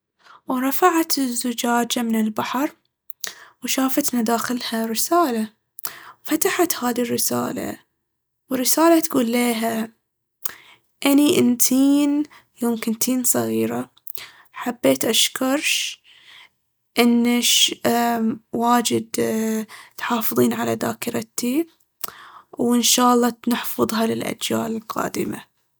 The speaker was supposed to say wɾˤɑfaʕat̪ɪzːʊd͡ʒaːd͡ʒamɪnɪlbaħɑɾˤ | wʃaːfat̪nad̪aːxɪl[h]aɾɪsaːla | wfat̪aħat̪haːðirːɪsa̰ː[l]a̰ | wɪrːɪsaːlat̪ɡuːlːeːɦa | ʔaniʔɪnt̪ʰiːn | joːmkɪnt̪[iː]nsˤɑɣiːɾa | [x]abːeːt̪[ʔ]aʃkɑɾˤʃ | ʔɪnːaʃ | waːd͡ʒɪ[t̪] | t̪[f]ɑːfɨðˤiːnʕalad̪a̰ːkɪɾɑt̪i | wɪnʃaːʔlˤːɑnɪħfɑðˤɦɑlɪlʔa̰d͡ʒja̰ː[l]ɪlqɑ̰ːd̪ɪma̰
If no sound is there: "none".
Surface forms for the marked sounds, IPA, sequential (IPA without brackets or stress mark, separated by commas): h, l, iː, ħ, ʔ, d̪, ħ, l